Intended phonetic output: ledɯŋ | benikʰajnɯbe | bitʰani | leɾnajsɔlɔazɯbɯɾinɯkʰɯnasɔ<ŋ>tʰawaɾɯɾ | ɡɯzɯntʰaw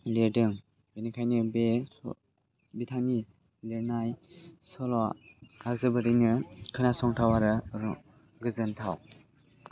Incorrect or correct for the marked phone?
correct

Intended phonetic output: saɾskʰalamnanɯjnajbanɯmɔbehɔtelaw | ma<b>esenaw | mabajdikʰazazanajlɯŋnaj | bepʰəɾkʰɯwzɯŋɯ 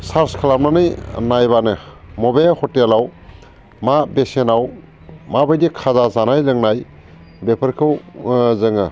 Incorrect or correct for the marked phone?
correct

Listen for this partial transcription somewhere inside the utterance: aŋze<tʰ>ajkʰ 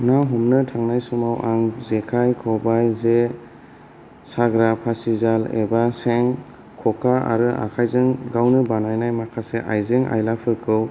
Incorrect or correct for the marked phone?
incorrect: kʰ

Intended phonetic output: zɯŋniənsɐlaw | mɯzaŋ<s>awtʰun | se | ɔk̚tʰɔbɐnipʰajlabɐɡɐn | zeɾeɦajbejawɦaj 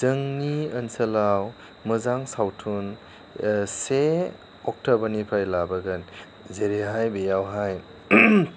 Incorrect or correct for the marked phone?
correct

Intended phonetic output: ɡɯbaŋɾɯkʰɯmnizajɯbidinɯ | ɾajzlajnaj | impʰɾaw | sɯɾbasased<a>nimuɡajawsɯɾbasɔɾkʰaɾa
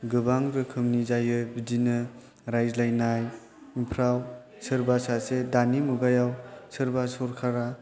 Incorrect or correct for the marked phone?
correct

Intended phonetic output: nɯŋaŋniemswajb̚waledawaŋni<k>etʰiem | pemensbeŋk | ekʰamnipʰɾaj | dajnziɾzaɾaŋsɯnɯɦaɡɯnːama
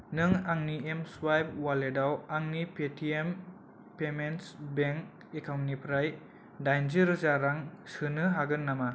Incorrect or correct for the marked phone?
incorrect: p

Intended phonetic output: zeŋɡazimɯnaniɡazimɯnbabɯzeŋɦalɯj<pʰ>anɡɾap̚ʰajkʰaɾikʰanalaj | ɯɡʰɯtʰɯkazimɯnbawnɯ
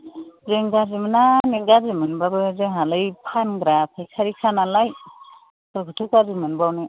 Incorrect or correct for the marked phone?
correct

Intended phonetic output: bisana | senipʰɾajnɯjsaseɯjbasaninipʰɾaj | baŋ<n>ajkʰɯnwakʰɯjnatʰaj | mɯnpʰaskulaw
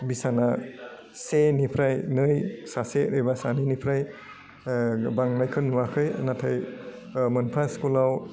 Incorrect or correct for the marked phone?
correct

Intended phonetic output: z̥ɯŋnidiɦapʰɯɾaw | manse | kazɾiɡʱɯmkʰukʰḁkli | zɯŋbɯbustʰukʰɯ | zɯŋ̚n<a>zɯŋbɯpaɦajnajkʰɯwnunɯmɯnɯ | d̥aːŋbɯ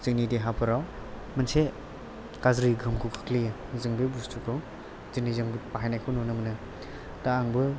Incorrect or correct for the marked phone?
incorrect: i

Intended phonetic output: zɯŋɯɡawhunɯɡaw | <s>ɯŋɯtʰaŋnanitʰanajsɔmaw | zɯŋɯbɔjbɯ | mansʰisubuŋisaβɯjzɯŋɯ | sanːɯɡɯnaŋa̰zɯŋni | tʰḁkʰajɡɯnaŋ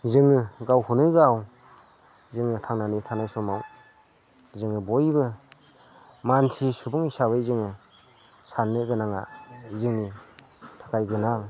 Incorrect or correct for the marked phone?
incorrect: z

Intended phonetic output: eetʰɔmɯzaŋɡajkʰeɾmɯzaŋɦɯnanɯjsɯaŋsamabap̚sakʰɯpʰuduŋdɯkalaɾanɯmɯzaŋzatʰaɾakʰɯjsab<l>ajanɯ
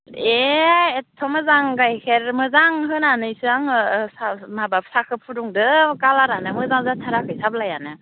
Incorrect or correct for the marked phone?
correct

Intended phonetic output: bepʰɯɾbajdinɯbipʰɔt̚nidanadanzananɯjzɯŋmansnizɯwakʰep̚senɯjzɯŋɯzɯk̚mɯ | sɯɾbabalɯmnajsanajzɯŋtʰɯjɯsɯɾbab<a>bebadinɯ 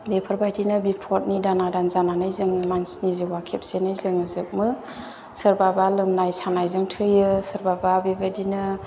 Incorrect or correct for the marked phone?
correct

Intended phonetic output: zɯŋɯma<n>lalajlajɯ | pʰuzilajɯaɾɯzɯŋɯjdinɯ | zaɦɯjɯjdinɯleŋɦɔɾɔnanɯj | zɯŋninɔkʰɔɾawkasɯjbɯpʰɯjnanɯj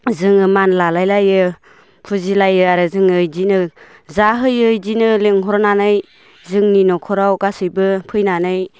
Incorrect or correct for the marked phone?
correct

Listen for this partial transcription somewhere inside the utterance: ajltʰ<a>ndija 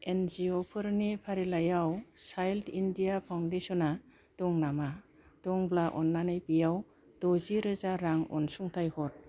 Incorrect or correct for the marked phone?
incorrect: i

